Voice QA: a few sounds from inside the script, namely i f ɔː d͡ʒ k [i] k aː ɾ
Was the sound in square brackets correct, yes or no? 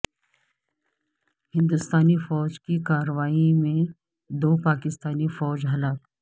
yes